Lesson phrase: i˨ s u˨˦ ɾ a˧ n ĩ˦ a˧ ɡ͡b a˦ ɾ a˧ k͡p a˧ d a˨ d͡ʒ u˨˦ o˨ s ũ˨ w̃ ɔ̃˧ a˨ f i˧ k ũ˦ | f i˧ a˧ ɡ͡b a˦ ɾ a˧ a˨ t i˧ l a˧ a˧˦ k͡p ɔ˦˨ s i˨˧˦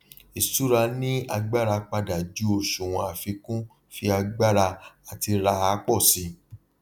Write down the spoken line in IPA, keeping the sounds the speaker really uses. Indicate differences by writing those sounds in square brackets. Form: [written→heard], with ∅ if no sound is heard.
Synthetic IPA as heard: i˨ s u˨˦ ɾ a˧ n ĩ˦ a˧ ɡ͡b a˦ ɾ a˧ k͡p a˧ d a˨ d͡ʒ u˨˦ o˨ [s→ʃ] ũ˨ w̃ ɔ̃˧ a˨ f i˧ k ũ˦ | f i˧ a˧ ɡ͡b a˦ ɾ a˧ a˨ t i˧ [l→ɾ] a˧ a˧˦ k͡p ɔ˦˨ s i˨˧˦